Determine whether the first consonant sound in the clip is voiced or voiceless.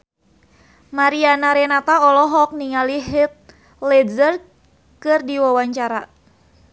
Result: voiced